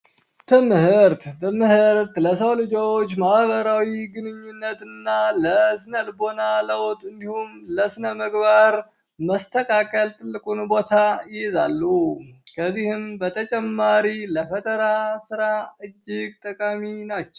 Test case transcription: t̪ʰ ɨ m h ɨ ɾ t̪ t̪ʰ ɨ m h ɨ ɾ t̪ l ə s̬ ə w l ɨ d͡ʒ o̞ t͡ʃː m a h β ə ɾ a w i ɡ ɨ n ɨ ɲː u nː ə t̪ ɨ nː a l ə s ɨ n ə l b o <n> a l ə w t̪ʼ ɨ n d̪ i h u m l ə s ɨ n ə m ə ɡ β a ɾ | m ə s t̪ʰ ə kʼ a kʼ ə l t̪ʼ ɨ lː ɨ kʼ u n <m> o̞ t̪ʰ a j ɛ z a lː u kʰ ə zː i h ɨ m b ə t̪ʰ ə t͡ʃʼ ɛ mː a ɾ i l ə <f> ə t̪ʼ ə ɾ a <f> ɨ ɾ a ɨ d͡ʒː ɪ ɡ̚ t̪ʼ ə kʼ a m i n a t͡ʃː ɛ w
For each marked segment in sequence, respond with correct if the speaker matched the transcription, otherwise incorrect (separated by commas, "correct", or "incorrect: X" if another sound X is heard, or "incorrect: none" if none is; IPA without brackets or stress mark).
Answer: correct, incorrect: b, correct, incorrect: s